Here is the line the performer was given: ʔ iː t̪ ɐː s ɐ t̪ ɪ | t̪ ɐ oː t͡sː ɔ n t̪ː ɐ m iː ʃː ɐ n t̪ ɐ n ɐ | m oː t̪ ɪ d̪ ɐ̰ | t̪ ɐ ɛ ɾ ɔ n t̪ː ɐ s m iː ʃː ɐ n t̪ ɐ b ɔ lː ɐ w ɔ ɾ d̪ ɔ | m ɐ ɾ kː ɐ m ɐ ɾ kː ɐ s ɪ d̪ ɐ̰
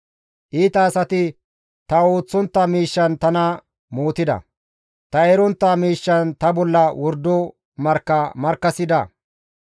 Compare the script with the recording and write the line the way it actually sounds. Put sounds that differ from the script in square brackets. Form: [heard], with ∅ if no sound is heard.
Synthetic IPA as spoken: ʔ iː t̪ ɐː s ɐ t̪ ɪ | t̪ ɐ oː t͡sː ɔ n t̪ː ɐ m iː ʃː ɐ n t̪ ɐ n ɐ | m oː t̪ ɪ d̪ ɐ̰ | t̪ ɐ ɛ ɾ ɔ n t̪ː ɐ [∅] m iː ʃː ɐ n t̪ ɐ b ɔ lː ɐ w ɔ ɾ d̪ ɔ | m ɐ ɾ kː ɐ m ɐ ɾ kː ɐ s ɪ d̪ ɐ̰